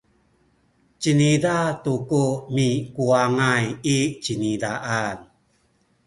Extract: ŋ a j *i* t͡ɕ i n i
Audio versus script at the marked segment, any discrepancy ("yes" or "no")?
no